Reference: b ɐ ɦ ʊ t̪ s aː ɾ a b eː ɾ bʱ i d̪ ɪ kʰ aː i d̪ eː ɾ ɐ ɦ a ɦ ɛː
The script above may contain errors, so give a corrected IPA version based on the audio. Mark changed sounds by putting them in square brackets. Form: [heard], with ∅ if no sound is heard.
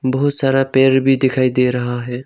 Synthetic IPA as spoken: b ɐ ɦ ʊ t̪ s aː ɾ a [p] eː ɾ bʱ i d̪ ɪ kʰ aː i d̪ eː ɾ ɐ ɦ a ɦ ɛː